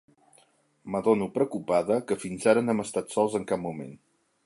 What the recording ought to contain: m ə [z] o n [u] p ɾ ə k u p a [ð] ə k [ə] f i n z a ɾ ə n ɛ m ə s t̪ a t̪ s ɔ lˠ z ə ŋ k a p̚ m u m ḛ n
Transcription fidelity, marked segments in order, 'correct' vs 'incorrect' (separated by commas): incorrect, correct, correct, correct